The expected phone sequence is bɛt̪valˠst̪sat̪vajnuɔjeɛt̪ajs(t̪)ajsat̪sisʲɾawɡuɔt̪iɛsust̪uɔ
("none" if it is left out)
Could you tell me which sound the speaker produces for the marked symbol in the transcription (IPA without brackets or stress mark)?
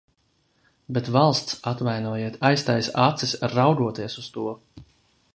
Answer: t̪